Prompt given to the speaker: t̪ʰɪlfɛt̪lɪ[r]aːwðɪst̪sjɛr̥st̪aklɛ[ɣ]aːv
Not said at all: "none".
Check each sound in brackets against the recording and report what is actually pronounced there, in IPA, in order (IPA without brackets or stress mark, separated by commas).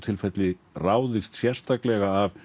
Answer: r, ɣ